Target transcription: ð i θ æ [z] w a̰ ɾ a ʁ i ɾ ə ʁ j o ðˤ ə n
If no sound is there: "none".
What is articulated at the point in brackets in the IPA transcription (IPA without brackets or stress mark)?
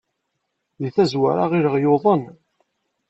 z